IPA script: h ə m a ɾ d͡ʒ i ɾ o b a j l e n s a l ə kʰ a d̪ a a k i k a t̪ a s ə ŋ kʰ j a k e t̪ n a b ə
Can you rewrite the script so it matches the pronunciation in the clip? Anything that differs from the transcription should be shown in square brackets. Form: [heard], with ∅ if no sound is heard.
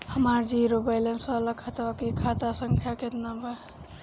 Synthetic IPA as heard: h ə m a ɾ d͡ʒ i ɾ o b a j l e n s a l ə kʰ a [t̪] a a k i [kʰ] a t̪ a s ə ŋ kʰ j a k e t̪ n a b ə